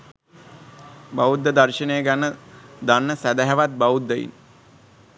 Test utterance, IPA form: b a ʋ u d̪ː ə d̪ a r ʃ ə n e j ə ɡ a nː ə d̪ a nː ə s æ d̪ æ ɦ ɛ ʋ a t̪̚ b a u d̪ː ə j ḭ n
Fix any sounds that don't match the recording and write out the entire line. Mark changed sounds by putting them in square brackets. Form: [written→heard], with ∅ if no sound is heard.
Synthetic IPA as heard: b a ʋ u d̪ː ə d̪ a r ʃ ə n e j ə ɡ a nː ə d̪ a nː ə s æ d̪ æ ɦ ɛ ʋ a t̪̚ b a u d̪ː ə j ḭ n